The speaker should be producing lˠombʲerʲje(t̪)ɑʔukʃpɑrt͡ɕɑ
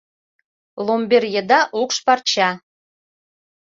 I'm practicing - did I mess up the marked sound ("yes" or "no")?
yes